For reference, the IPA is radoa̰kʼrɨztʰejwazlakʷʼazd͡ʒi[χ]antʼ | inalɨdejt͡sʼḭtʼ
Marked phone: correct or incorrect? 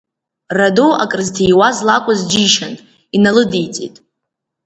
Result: incorrect